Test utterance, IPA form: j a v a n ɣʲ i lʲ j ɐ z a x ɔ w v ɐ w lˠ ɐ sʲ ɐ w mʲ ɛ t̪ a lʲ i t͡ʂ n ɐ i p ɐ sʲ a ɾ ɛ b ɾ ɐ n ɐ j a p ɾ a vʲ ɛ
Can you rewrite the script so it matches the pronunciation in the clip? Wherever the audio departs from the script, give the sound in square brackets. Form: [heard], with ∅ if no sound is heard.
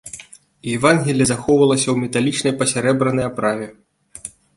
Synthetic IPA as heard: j [ɛ] v a n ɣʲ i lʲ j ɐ z a x ɔ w v ɐ [∅] lˠ ɐ sʲ ɐ w mʲ ɛ t̪ a lʲ i t͡ʂ n ɐ [j] p ɐ sʲ a ɾ ɛ b ɾ ɐ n ɐ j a p ɾ a vʲ ɛ